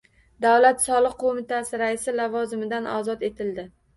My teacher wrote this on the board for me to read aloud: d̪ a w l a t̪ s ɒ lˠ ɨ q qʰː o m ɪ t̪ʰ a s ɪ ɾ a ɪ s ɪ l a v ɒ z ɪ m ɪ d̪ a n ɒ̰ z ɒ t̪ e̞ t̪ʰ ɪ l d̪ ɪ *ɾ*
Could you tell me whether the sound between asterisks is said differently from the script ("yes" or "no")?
yes